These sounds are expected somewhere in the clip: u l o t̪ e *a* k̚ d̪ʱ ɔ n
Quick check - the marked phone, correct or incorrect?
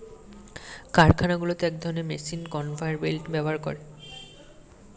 incorrect